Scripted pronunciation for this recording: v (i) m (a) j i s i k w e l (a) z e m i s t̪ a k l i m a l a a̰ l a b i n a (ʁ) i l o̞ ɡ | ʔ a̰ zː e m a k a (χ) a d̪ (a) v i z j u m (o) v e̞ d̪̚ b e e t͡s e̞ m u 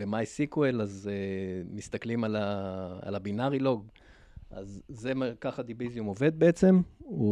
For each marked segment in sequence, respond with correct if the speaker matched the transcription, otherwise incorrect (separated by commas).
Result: incorrect, correct, correct, correct, correct, incorrect, correct